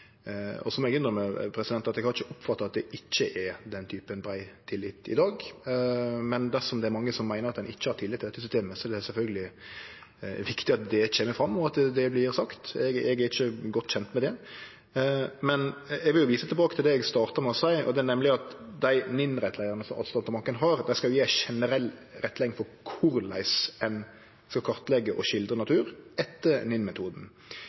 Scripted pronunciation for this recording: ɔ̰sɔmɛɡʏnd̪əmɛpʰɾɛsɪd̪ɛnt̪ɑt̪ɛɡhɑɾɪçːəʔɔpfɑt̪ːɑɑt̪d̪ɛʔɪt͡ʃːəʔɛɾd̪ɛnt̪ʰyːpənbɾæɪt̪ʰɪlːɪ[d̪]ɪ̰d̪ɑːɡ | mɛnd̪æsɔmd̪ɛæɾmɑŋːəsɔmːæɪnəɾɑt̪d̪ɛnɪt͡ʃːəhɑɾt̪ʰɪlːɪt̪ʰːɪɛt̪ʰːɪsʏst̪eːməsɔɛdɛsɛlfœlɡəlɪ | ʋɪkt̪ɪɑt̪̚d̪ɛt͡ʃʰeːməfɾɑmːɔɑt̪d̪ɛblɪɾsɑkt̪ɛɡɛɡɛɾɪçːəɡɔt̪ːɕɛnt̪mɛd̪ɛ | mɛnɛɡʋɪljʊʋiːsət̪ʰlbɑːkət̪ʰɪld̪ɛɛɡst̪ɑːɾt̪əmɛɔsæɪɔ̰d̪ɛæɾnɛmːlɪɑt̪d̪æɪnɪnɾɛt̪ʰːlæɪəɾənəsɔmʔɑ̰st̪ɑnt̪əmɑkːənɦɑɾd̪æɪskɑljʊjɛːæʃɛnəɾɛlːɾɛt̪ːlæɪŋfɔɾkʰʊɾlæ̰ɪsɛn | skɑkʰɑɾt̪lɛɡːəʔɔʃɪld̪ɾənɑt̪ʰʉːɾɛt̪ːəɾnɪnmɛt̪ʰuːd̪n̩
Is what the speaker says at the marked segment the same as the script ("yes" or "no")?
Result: no